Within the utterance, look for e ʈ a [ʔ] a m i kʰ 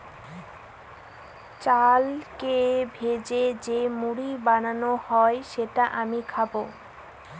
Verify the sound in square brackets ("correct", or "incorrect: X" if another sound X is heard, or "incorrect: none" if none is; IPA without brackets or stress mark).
correct